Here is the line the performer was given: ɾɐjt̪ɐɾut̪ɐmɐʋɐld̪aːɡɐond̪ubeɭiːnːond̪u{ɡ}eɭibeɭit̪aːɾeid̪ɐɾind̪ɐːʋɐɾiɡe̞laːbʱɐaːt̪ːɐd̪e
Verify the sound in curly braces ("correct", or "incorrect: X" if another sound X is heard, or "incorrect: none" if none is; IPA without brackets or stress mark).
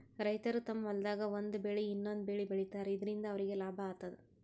incorrect: b